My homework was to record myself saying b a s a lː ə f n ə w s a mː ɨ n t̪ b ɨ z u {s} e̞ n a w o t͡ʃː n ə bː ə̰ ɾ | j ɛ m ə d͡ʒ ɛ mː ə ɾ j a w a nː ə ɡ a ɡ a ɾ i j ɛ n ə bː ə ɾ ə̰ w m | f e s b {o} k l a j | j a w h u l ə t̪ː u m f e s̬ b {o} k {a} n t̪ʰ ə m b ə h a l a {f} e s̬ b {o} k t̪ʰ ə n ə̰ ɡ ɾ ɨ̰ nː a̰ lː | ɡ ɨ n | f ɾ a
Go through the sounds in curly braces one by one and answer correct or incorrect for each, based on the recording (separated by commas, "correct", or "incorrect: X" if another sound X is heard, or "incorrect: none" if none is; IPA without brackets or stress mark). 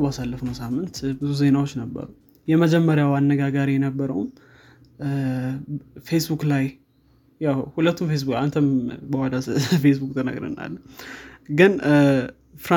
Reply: incorrect: z, incorrect: u, incorrect: u, correct, correct, incorrect: u